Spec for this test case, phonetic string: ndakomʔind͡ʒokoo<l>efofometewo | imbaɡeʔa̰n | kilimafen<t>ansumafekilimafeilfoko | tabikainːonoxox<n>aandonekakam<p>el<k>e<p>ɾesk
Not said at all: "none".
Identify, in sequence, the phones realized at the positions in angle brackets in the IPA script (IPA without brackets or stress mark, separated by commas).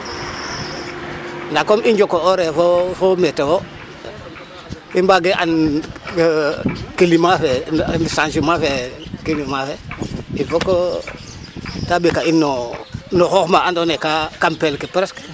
ɾ, s, m, p, k, p